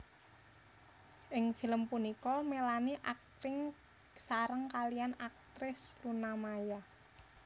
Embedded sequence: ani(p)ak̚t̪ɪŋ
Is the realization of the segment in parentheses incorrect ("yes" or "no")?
yes